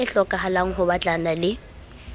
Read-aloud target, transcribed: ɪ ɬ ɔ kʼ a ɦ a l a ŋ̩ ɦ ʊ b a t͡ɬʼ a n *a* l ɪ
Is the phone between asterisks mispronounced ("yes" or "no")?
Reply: no